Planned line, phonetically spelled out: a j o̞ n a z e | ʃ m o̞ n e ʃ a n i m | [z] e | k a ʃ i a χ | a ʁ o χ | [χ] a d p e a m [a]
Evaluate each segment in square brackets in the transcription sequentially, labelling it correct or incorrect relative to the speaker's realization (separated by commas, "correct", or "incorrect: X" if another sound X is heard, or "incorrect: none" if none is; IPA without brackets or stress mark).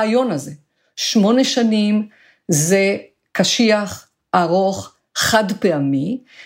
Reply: correct, correct, incorrect: i